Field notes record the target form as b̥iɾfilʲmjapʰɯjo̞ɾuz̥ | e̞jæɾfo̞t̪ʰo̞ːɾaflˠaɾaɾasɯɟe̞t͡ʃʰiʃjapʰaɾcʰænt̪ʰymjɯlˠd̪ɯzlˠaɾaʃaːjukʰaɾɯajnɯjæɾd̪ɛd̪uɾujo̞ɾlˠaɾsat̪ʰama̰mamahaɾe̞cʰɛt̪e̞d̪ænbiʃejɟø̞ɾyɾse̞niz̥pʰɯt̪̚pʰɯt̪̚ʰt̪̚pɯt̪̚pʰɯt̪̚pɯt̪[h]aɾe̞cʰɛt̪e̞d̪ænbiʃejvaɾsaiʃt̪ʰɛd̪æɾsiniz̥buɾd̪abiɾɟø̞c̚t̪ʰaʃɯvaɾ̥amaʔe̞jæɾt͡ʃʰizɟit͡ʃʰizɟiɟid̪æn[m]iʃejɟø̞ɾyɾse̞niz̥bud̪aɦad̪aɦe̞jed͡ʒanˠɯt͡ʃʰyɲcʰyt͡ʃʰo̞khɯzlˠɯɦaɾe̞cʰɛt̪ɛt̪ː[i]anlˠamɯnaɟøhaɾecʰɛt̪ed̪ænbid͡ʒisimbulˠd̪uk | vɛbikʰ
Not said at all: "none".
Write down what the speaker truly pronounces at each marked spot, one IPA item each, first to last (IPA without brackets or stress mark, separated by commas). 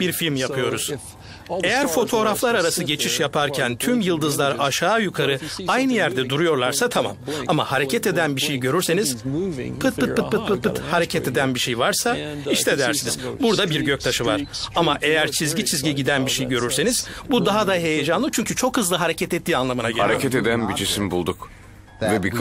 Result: h, b, iː